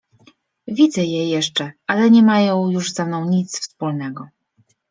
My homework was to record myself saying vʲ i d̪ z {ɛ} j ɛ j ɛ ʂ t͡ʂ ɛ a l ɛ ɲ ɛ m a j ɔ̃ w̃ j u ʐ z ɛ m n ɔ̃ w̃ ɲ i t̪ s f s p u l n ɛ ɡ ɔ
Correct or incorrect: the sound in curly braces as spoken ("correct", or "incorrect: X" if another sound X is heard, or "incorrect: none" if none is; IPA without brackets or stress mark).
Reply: correct